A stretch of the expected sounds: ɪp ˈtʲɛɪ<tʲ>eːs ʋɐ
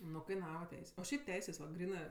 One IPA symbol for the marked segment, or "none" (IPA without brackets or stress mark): sʲ